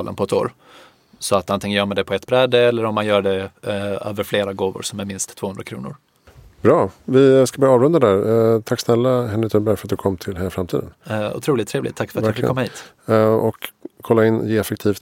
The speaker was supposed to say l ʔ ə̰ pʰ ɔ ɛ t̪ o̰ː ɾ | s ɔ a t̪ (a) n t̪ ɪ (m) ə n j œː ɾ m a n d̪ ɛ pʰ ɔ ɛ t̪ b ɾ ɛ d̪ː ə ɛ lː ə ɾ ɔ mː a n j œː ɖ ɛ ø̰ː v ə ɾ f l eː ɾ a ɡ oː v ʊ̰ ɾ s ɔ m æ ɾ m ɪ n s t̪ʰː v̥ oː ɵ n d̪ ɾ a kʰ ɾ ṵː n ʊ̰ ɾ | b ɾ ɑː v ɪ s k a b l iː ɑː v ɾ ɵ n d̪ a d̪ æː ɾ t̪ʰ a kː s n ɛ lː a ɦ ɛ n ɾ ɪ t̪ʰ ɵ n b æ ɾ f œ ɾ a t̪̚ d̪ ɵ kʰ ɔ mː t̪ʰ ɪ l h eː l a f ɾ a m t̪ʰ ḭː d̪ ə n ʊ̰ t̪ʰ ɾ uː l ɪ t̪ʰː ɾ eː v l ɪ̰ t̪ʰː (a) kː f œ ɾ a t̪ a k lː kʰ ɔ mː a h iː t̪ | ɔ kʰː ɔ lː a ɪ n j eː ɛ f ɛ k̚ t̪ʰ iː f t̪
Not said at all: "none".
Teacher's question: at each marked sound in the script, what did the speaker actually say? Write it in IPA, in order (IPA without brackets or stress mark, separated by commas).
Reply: a, ŋ, a